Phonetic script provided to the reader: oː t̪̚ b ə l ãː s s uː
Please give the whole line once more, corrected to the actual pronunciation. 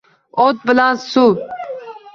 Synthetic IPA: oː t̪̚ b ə l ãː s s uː